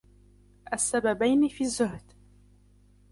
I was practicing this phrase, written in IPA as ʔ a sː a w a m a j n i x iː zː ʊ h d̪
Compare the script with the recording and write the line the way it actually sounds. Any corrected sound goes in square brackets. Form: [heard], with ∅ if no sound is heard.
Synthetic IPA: ʔ a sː a [b] a [b] a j n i [f] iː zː ʊ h d̪